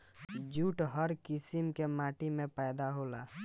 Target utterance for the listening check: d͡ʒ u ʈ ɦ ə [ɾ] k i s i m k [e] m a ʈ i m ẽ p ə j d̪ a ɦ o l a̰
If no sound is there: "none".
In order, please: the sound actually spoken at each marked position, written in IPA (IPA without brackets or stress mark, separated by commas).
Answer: ɾ, e